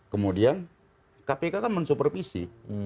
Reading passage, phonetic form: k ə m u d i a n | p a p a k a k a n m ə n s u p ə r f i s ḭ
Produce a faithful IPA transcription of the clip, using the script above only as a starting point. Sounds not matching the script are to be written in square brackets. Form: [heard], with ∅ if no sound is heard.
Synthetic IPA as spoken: k ə m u d i a n | [k] a p [e] k a k a n m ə n s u p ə r f i s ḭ